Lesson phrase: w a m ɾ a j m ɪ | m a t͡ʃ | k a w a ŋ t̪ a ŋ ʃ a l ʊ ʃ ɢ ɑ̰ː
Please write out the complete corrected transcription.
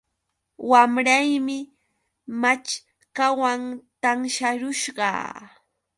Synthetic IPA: w a m ɾ a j m ɪ | m a t͡ʃ | k a w a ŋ t̪ a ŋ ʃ a ɾ ʊ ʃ ɢ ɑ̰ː